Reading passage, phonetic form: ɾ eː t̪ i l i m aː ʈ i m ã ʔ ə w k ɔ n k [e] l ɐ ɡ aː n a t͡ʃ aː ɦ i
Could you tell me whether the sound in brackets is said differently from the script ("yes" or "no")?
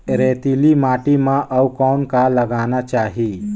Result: yes